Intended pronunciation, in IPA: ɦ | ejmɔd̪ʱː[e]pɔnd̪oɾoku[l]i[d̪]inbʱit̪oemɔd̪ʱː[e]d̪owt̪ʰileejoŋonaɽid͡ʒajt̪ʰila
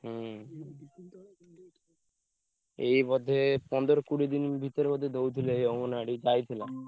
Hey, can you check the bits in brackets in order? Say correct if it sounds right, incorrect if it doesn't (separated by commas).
correct, incorrect, correct, correct